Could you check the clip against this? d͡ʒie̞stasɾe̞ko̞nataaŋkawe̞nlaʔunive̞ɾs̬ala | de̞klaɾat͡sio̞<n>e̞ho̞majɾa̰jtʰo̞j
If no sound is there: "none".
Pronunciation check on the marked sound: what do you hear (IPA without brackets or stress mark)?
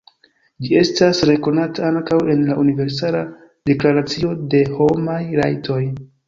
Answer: d